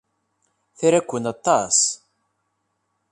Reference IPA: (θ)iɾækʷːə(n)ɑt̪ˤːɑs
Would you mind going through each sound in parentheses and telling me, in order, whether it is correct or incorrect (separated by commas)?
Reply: correct, correct